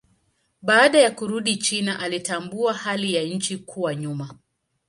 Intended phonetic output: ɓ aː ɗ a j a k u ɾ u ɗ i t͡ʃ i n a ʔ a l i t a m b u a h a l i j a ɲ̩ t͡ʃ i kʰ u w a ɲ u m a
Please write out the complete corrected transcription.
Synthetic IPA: ɓ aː ɗ a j a k u ɾ u ɗ i t͡ʃ i n a ʔ a l i t a m b u a h a l i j a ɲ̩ t͡ʃ i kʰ u w a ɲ u m a